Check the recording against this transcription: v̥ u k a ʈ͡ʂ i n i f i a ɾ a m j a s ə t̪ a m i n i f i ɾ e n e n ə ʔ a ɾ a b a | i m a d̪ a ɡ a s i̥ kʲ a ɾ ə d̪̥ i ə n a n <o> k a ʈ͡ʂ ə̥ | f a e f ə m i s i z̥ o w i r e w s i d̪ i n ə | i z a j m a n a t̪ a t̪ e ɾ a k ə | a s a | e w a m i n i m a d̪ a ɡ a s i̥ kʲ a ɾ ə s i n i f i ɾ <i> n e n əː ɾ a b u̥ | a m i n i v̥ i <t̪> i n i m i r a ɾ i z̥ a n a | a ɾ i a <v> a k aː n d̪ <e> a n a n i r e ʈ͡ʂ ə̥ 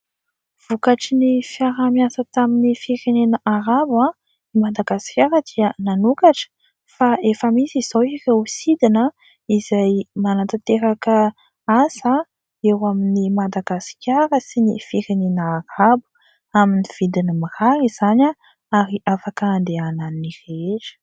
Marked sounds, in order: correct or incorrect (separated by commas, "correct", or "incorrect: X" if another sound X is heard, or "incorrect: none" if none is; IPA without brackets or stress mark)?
incorrect: u, incorrect: e, incorrect: d̪, incorrect: f, correct